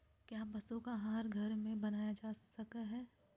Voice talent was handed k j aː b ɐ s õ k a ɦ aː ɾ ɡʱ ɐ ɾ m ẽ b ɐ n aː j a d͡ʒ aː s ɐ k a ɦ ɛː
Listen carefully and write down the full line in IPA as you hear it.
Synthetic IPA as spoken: k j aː b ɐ s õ k a ɦ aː ɾ ɡʱ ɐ ɾ m ẽ b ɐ n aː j a d͡ʒ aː s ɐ k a ɦ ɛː